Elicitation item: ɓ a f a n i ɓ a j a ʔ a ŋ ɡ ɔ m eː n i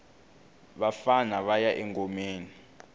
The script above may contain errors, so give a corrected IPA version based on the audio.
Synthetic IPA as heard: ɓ a f a n a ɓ a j a ʔ ɛ ŋ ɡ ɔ m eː n i